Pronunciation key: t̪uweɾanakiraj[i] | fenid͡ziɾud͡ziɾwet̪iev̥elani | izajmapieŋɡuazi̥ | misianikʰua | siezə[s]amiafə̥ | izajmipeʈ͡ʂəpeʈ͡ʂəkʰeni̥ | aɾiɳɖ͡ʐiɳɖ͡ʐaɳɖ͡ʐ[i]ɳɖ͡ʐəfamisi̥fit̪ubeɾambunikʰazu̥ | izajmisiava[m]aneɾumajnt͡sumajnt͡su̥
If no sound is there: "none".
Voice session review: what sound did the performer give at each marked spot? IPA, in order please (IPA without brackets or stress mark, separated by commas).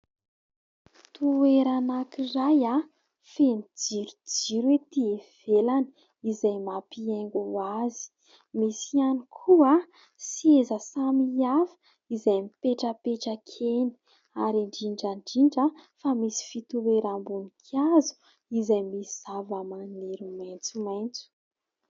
a, s, i, m